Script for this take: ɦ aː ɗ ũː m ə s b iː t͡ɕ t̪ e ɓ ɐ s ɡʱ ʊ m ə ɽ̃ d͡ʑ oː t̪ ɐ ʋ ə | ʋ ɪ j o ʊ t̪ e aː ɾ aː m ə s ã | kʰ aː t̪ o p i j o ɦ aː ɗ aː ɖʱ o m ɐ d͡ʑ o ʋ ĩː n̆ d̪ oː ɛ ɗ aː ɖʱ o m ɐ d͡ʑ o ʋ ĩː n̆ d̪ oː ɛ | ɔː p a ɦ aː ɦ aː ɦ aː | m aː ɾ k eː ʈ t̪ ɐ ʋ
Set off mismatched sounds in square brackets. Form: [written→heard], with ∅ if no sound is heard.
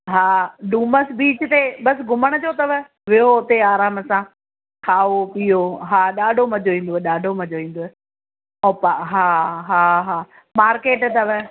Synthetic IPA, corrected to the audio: ɦ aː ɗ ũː m ə s b iː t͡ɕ t̪ e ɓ ɐ s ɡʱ ʊ m ə ɽ̃ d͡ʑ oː t̪ ɐ ʋ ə | ʋ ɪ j o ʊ t̪ e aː ɾ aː m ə s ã | kʰ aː [t̪→∅] o p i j o ɦ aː ɗ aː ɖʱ o m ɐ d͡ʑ o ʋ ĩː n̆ d̪ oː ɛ ɗ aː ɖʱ o m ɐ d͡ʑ o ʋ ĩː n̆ d̪ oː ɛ | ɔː p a ɦ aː ɦ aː ɦ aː | m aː ɾ k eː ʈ t̪ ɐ ʋ